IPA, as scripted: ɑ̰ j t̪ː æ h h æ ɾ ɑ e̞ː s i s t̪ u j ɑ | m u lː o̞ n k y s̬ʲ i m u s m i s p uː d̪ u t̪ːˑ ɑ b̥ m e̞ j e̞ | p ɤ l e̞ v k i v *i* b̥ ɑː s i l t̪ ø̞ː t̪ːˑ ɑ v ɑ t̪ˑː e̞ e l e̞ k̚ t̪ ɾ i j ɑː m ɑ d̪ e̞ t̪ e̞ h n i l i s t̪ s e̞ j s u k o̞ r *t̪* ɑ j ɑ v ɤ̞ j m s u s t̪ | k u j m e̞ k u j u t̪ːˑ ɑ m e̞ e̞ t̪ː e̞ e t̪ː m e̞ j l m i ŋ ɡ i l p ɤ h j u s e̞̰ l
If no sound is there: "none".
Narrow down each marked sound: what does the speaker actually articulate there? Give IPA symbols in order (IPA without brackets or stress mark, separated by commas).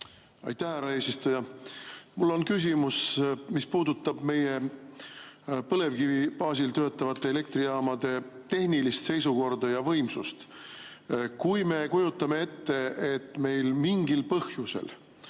i, d̪